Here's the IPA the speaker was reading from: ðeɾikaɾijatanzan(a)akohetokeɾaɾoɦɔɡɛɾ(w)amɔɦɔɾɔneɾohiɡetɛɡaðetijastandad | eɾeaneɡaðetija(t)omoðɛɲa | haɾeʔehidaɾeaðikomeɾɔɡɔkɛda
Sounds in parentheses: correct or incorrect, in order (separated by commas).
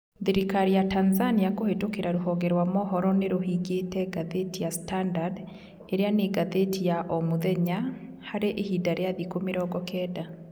incorrect, correct, incorrect